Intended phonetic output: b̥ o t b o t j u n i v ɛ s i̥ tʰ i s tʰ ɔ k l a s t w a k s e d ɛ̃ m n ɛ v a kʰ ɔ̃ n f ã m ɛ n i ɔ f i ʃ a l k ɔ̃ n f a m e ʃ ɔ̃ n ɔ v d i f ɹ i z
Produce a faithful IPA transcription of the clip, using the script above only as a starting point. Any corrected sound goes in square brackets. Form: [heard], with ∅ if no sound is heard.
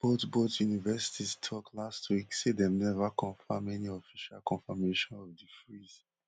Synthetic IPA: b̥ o t b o t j u n i v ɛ s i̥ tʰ i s tʰ ɔ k l a s t w [i] k s e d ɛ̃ m n ɛ v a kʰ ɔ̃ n f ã m ɛ n i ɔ f i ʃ a l k ɔ̃ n f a m e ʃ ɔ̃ n ɔ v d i f ɹ i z